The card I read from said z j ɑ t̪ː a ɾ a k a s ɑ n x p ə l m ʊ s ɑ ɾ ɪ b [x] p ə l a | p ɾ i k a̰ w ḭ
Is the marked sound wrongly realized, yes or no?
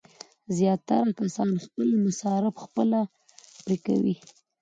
no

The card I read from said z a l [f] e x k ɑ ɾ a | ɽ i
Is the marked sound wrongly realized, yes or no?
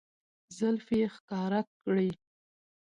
no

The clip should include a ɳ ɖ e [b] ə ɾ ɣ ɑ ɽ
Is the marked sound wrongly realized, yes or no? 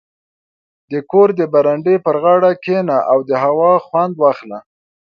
yes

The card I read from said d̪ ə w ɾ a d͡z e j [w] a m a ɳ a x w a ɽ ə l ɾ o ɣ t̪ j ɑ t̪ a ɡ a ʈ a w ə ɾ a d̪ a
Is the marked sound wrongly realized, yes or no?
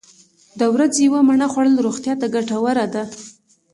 no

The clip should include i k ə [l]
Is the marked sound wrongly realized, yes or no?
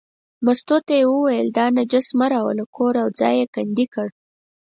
yes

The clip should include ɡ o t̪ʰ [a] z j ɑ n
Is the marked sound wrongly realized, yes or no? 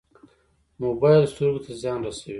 no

